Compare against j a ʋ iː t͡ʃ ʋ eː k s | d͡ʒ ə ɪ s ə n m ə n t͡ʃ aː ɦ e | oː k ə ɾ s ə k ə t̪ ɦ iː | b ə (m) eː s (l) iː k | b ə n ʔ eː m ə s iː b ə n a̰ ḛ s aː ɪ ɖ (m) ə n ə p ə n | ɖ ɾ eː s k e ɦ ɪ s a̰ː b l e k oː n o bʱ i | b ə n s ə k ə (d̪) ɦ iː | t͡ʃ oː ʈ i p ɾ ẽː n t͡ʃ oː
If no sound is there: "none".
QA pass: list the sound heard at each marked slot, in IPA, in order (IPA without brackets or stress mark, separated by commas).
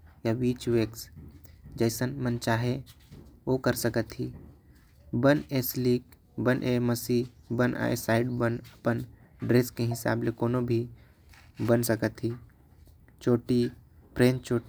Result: n, l, b, t̪